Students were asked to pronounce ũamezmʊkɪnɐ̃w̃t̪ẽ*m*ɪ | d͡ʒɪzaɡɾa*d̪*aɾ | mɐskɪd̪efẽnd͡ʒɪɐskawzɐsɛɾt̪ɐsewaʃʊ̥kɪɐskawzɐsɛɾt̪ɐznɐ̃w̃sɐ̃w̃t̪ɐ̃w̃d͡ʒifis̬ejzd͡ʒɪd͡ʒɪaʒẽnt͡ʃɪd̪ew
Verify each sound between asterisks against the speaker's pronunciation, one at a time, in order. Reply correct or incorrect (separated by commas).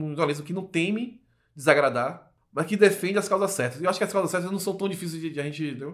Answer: correct, correct